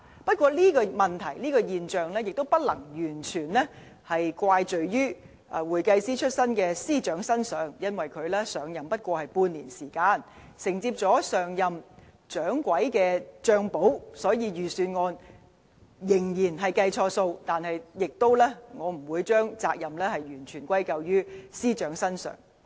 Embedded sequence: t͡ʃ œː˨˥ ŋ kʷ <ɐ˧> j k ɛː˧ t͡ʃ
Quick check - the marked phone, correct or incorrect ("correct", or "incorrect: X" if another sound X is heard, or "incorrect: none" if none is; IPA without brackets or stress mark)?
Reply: incorrect: ɐ˨˥